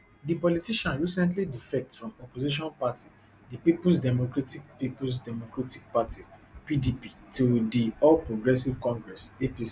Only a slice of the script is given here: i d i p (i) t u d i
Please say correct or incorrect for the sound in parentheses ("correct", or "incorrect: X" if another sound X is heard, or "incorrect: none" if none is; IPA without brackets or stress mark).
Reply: correct